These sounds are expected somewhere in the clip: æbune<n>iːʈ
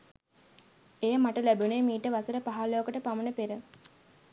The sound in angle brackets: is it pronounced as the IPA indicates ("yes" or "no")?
no